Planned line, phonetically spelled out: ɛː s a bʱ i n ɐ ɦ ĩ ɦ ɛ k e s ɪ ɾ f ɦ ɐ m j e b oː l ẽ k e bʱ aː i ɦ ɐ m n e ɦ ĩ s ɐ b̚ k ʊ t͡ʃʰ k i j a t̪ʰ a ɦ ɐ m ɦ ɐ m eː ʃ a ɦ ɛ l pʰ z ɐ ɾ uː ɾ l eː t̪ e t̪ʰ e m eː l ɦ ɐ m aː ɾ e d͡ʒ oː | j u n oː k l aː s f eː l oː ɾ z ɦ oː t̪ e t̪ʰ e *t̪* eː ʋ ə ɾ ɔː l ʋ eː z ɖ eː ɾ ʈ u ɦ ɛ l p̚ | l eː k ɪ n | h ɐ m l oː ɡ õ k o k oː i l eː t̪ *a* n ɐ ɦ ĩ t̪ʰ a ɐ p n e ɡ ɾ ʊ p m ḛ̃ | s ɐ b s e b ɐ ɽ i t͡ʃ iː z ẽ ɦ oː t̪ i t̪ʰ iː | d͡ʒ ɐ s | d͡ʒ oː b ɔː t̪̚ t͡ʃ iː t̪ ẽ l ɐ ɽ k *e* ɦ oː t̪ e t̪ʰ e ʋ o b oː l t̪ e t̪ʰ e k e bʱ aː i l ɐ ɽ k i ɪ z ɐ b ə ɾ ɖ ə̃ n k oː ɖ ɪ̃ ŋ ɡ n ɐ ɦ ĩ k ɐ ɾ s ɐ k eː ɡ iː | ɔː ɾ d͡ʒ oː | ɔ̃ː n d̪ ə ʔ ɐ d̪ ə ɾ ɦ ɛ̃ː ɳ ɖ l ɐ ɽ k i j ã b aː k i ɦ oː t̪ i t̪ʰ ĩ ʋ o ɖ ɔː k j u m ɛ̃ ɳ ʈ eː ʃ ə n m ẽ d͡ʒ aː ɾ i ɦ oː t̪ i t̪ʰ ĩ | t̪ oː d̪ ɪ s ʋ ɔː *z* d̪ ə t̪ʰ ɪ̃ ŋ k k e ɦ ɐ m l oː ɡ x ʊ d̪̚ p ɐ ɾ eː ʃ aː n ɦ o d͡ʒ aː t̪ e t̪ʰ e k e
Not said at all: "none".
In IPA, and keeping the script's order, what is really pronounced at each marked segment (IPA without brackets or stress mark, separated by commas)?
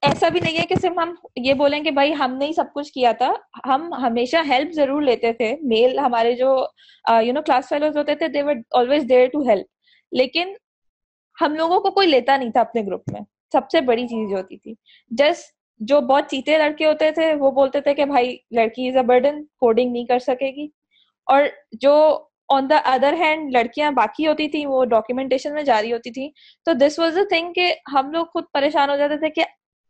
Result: d̪, a, e, z